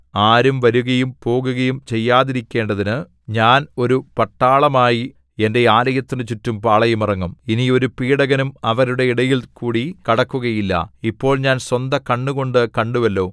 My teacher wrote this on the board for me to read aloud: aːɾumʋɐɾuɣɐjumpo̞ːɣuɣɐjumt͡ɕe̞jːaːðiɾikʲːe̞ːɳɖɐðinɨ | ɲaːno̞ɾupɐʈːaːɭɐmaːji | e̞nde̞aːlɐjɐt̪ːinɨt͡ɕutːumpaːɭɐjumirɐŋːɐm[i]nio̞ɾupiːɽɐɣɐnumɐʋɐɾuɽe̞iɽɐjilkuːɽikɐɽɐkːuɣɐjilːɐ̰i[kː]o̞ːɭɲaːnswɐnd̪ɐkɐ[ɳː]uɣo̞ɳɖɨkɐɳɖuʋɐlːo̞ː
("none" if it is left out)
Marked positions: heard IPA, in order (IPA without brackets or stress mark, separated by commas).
i, pː, ɳː